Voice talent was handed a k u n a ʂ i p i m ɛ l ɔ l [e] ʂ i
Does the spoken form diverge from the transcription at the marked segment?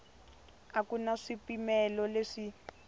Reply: no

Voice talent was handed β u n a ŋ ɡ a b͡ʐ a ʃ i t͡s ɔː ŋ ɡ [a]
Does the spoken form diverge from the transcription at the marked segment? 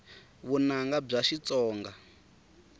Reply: no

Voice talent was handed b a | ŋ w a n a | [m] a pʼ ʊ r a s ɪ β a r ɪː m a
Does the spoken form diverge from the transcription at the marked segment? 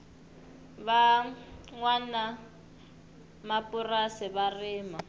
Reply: no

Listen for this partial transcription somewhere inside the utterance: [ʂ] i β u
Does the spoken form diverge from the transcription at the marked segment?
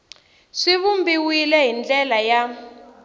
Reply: no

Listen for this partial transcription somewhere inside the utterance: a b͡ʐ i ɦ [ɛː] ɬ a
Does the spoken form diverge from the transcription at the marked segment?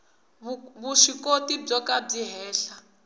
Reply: no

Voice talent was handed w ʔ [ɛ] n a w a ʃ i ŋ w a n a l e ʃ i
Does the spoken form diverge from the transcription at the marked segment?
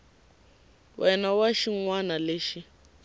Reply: no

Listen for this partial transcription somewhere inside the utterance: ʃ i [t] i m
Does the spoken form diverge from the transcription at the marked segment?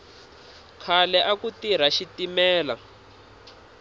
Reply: no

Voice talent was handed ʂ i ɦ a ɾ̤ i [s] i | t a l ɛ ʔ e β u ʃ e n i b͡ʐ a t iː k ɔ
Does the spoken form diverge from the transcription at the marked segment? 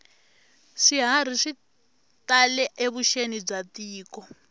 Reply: yes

